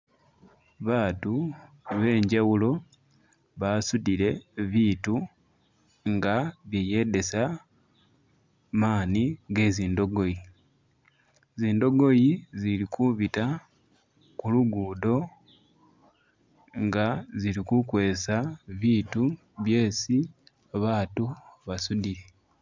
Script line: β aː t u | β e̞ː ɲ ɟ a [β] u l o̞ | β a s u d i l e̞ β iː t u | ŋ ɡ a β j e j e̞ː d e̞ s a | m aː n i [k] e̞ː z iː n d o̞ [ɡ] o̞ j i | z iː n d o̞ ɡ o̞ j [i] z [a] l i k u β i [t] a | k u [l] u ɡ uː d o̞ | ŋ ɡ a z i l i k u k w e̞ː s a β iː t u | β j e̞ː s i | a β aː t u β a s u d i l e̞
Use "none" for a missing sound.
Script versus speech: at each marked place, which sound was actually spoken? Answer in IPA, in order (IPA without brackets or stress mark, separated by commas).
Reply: w, ɡ, ɡ, i, i, t, l